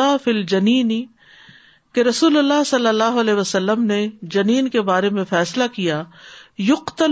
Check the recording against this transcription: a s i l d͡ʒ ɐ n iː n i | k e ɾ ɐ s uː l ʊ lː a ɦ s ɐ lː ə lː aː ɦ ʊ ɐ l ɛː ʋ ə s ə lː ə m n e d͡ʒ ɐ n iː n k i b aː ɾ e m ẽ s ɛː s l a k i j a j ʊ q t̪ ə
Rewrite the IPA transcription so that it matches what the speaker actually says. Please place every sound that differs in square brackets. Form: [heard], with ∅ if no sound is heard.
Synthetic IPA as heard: a [f] i l d͡ʒ ɐ n iː n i | k e ɾ ɐ s uː l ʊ lː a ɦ s ɐ lː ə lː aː ɦ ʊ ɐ l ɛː ʋ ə s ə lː ə m n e d͡ʒ ɐ n iː n k [e] b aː ɾ e m ẽ [f] ɛː s l a k i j a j ʊ q t̪ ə